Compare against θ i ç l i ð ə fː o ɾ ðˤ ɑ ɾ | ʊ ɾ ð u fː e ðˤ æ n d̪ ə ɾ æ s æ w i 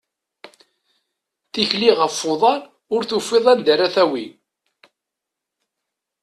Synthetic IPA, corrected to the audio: θ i ç l i ʁ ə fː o ðˤ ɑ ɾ | ʊ ɾ θ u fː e ðˤ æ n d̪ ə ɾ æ θ æ w i